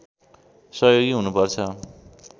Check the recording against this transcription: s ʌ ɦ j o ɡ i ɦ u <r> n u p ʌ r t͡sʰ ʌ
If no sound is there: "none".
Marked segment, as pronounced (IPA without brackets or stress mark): none